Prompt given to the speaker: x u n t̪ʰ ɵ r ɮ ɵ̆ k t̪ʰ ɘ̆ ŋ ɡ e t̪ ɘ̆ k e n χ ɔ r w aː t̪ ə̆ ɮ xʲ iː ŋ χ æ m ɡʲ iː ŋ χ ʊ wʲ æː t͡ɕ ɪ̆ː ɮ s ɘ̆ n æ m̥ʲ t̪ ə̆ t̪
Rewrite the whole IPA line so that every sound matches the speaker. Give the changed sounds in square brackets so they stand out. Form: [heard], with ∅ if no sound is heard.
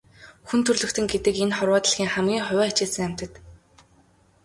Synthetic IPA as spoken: x u n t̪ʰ ɵ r ɮ ɵ̆ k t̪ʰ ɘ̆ ŋ ɡ e t̪ ɘ̆ k e n χ ɔ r w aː t̪ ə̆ ɮ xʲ iː ŋ χ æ m ɡʲ iː ŋ χ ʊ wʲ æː t͡ɕ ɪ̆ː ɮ s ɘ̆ [ŋ] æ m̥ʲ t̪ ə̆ t̪